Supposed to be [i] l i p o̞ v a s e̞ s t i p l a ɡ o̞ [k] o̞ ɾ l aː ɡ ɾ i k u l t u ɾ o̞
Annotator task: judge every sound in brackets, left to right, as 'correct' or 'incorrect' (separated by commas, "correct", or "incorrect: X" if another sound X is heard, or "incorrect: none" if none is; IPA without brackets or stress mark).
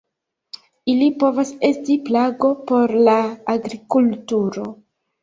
correct, incorrect: p